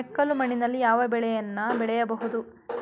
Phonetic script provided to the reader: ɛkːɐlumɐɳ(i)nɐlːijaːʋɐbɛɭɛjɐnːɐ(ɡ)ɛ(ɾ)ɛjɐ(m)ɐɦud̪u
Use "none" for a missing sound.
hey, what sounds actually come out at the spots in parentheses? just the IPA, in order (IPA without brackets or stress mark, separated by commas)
i, b, ɭ, b